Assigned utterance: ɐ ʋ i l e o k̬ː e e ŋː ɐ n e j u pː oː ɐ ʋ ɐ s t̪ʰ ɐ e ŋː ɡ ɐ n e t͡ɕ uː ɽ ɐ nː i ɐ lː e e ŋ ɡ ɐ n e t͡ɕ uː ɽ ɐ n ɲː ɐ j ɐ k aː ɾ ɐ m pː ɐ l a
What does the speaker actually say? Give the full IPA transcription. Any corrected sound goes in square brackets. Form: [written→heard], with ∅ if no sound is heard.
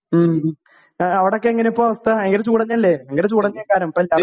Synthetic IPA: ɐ ʋ i [l→ɽ] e o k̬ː e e ŋː ɐ n e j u pː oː ɐ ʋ ɐ s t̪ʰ ɐ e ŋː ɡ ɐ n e t͡ɕ uː ɽ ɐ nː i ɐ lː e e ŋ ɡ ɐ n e t͡ɕ uː ɽ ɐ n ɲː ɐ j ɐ k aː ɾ ɐ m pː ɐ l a